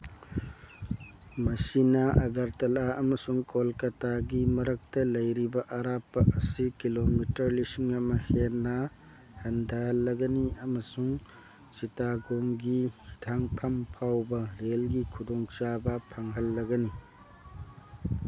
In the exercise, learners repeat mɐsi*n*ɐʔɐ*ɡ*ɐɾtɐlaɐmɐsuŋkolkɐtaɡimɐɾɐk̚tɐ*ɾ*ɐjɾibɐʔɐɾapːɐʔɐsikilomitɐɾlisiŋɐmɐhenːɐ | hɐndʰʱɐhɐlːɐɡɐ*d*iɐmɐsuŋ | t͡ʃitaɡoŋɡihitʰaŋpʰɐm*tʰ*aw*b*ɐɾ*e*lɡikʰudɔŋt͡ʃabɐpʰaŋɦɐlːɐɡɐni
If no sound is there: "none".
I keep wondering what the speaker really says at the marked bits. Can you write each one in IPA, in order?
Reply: n, ɡ, l, n, pʰ, b, e

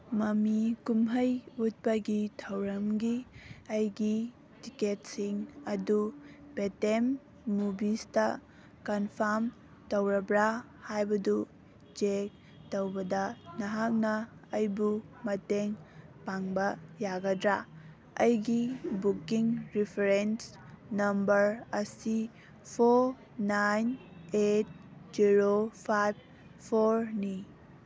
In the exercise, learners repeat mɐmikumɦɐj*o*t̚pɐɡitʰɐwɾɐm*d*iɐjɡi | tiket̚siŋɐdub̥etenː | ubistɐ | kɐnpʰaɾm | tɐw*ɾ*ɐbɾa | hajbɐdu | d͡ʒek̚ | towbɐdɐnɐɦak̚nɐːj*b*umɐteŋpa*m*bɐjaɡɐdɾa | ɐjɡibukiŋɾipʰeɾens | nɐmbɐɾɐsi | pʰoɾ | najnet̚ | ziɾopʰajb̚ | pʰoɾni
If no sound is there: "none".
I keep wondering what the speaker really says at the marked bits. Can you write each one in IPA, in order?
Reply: u, ɡ, ɾ, b, ŋ

